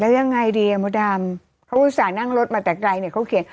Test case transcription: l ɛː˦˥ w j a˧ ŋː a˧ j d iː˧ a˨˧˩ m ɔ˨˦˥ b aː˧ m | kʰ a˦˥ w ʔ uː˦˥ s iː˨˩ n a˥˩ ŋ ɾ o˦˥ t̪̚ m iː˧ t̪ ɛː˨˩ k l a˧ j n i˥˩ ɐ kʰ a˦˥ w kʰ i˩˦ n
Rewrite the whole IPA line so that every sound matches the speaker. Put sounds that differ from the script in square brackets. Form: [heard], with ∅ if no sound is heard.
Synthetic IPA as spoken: l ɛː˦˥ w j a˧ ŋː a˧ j d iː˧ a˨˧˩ m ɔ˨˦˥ [d] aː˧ m | kʰ a˦˥ w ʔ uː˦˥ s [aː˨˩] n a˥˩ ŋ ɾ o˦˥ t̪̚ m [aː˧] t̪ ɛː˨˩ k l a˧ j n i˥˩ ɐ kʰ a˦˥ w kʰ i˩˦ n